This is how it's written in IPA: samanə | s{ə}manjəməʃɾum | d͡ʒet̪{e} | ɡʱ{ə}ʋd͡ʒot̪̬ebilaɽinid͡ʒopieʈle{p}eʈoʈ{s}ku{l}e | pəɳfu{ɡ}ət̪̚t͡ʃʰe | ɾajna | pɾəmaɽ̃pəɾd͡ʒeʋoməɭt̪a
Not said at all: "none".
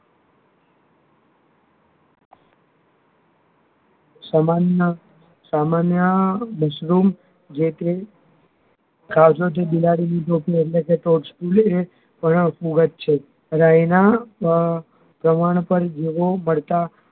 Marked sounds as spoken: a, e, a, k, s, l, ɡ

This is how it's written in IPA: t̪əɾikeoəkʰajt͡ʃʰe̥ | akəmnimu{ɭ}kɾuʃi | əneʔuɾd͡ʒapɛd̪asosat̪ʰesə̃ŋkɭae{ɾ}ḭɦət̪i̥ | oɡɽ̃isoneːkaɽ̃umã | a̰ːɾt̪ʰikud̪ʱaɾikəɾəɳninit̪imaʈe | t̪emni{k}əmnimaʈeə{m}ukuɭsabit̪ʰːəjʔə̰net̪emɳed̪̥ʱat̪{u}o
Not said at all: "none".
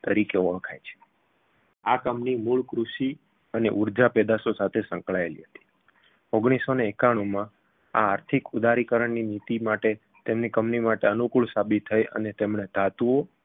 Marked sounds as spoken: ɭ, l, k, n, u

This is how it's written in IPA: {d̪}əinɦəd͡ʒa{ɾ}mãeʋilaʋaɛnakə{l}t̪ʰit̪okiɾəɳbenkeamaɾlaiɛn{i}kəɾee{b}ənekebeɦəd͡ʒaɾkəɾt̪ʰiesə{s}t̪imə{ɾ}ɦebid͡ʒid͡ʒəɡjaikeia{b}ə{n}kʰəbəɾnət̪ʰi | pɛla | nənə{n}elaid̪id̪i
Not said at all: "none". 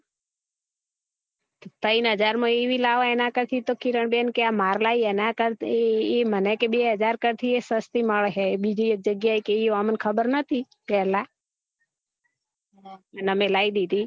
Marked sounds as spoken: t̪, ɾ, ɾ, a, m, s, ɭ, m, n, m

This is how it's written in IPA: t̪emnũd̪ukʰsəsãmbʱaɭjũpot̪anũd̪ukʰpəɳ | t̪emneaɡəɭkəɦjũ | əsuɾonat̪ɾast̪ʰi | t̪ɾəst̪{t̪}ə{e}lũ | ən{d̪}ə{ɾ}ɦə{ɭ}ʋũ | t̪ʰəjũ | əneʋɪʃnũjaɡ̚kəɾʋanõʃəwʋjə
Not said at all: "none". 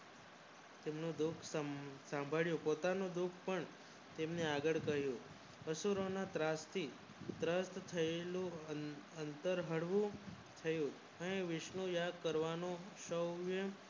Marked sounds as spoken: t̪ʰ, e, t̪, ɾ, ɽ

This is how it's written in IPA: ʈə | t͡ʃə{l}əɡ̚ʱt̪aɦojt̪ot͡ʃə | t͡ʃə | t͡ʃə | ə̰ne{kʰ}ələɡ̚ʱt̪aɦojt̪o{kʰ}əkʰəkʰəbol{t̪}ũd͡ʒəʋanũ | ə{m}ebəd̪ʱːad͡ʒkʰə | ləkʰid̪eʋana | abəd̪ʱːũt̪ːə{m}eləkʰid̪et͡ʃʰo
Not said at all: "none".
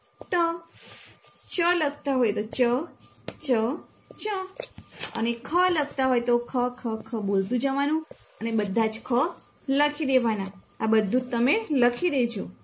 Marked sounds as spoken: l, kʰ, kʰ, t̪, n, m

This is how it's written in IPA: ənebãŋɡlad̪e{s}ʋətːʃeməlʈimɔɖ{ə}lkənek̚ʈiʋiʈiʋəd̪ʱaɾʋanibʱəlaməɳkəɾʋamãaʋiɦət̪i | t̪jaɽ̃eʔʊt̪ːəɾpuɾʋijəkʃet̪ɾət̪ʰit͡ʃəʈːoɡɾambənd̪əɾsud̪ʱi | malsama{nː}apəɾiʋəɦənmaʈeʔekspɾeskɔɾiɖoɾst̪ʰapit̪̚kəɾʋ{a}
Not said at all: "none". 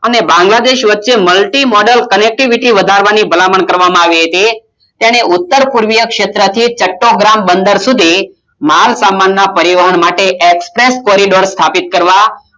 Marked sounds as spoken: ʃ, ə, nː, a

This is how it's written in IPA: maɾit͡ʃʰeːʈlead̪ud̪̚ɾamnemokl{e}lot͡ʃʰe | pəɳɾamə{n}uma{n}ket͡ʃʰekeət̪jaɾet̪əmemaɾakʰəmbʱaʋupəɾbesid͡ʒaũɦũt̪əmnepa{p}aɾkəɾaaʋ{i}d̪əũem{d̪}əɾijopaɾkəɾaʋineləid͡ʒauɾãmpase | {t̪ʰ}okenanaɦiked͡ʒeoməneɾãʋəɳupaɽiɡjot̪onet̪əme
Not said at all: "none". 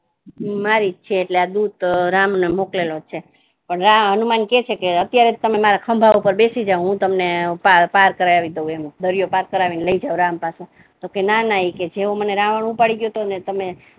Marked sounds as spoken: e, n, n, p, i, d̪, t̪

